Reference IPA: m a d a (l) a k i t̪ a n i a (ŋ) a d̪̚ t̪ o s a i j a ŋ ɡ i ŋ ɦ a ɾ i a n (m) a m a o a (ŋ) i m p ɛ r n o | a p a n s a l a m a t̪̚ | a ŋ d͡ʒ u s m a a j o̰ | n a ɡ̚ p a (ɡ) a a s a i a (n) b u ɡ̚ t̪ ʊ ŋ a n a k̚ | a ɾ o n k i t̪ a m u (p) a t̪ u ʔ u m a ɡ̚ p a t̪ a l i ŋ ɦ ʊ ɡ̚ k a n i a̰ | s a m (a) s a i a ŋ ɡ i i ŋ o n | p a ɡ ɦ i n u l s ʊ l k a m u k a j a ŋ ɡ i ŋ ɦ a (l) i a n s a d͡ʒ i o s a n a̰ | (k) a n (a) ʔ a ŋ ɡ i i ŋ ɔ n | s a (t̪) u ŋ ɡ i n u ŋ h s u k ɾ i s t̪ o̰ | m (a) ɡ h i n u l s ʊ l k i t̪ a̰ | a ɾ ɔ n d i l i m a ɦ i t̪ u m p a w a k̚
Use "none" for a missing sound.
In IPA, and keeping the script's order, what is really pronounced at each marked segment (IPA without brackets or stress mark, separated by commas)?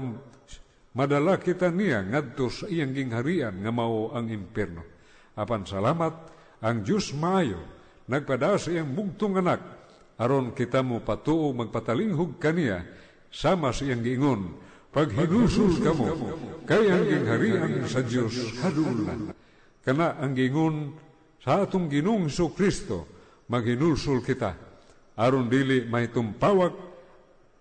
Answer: l, ŋ, ŋ, ŋ, d, ŋ, p, a, ɾ, k, a, t̪, a